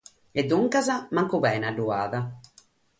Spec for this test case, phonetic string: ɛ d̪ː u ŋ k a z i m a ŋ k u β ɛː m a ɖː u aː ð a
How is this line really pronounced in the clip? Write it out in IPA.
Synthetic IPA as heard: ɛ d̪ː u ŋ k a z a m a ŋ k u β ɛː n a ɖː u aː ð a